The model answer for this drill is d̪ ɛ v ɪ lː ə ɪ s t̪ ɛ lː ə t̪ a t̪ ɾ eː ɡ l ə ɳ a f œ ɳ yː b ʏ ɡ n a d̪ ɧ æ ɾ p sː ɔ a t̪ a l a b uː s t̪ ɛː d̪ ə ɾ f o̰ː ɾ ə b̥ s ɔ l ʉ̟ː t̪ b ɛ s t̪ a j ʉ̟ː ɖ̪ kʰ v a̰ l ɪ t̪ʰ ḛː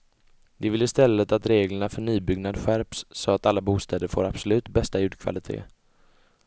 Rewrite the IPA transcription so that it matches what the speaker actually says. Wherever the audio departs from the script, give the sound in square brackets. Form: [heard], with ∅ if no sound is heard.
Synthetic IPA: d̪ ɛ v ɪ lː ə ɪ s t̪ ɛ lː ə t̪ a t̪ ɾ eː ɡ l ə ɳ a f œ ɳ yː b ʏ ɡ n a d̪ ɧ æ ɾ p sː ɔ a t̪ a [lː] a b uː s t̪ ɛː d̪ ə ɾ f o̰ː ɾ [a] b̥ s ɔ l ʉ̟ː t̪ b ɛ s t̪ a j ʉ̟ː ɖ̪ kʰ v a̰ l ɪ t̪ʰ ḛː